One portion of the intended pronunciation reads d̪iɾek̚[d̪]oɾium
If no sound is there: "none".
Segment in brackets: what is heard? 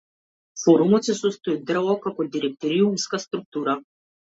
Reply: t̪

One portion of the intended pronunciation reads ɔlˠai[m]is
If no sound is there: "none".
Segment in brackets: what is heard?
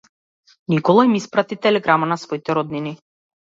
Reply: m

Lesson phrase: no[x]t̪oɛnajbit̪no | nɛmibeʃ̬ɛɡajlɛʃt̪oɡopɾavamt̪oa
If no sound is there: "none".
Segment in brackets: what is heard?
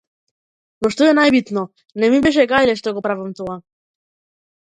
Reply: ʃ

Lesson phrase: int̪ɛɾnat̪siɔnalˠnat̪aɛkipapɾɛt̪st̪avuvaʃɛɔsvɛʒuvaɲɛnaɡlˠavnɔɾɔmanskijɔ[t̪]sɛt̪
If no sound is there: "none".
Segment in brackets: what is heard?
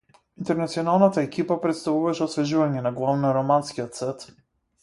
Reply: t̪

